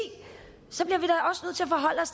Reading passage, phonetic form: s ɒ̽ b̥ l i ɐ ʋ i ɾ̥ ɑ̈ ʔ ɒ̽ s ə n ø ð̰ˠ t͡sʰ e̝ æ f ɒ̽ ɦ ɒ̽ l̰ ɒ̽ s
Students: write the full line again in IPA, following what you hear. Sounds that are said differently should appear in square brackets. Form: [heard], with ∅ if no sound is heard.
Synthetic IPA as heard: s ɒ̽ b̥ l i ɐ ʋ i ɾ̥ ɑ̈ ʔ ɒ̽ s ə n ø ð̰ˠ t͡sʰ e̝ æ f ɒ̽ ɦ ɒ̽ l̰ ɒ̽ s